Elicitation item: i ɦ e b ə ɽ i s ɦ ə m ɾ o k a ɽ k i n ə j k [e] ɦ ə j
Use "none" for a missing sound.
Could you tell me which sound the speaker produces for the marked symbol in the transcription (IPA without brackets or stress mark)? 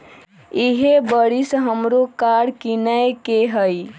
e